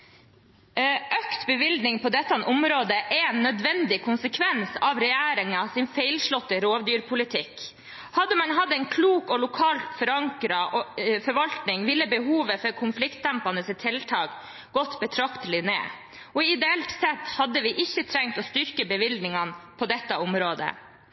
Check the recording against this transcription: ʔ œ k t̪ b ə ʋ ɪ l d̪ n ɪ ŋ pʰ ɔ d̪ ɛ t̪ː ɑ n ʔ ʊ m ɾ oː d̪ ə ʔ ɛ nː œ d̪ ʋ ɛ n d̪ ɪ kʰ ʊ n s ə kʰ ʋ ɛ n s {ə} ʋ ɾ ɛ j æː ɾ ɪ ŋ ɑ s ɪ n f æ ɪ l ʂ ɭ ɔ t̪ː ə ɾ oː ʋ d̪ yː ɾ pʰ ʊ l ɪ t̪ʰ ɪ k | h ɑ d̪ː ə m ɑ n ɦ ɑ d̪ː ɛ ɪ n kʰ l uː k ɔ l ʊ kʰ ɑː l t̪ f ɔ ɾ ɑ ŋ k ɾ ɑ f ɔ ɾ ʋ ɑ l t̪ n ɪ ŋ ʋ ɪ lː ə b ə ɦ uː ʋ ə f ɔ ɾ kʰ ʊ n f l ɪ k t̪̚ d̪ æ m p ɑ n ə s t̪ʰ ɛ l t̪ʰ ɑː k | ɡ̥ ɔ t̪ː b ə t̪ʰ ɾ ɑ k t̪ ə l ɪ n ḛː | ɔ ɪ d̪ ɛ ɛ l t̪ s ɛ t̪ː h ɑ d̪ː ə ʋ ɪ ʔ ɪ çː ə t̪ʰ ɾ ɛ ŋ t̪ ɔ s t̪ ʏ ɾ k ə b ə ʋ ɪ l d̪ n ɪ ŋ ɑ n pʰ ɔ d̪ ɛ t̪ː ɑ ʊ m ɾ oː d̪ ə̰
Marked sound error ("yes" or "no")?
yes